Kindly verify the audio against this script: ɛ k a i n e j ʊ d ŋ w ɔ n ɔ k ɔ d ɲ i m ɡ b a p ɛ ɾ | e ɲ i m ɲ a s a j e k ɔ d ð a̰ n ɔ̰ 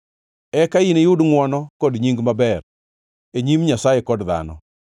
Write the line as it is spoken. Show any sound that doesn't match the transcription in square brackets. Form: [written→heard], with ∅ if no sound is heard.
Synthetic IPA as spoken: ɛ k a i n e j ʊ d ŋ w ɔ n ɔ k ɔ d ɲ i [m→ŋ] ɡ [b→m] a [p→b] ɛ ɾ | e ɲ i m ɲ a s a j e k ɔ d ð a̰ n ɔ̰